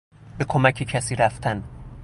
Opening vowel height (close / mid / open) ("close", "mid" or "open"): mid